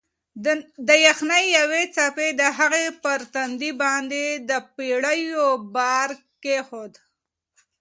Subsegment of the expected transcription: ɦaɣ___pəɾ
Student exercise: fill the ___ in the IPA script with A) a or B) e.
B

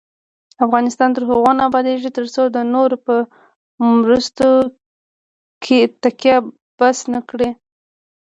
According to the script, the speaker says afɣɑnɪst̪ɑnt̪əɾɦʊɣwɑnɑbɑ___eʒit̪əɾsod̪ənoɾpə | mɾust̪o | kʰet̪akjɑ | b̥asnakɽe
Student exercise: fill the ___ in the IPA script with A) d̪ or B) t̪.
A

